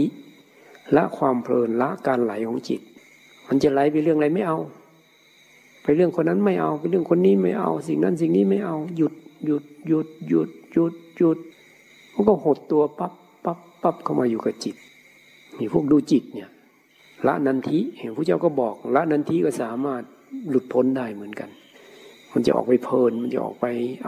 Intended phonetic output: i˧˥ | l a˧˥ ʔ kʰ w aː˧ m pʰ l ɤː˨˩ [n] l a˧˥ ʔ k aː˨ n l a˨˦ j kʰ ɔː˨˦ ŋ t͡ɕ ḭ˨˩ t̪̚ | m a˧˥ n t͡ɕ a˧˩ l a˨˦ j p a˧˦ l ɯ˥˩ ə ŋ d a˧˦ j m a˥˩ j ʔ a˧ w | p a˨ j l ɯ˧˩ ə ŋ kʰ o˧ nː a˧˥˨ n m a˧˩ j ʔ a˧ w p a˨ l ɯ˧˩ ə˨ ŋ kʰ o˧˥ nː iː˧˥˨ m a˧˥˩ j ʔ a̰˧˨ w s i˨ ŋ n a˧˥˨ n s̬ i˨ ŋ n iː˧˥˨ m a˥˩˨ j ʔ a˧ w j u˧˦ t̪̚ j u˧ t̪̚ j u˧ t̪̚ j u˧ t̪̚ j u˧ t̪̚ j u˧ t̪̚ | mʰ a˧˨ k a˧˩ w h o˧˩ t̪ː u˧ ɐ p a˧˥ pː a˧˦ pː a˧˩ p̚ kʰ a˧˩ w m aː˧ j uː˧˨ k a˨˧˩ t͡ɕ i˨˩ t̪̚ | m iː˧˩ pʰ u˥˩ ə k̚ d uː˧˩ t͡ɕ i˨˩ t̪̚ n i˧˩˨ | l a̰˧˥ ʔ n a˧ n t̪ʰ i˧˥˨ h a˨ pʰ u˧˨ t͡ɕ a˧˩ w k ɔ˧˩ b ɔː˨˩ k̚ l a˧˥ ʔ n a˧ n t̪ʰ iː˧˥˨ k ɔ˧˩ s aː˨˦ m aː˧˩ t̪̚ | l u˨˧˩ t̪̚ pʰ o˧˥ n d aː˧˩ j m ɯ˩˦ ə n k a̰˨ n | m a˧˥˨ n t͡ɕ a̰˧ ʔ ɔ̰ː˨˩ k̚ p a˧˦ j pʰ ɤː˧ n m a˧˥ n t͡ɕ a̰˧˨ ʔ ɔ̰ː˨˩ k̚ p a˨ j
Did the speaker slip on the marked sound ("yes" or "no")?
no